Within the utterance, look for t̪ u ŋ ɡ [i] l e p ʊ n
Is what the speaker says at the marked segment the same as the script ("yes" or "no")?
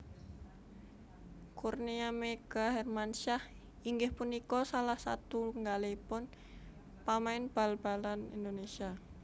no